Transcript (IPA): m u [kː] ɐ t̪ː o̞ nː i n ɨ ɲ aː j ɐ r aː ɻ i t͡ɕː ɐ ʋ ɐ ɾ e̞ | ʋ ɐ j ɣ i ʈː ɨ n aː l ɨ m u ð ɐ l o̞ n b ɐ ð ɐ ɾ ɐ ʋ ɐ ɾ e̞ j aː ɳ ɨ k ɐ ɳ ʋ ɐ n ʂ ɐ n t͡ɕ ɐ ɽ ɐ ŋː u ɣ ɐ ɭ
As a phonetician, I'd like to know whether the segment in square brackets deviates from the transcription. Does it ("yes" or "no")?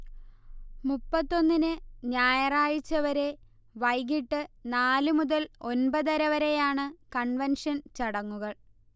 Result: yes